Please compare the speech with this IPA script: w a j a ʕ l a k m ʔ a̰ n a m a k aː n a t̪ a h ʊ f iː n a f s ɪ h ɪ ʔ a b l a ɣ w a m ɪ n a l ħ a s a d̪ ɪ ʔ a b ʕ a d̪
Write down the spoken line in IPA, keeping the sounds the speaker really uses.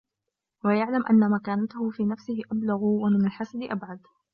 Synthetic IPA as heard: w a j a ʕ l a m ʔ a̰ nː a m a k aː n a t̪ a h ʊ f iː n a f s ɪ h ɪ ʔ a b l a ɣ w a m ɪ n a l ħ a s a d̪ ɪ ʔ a b ʕ a d̪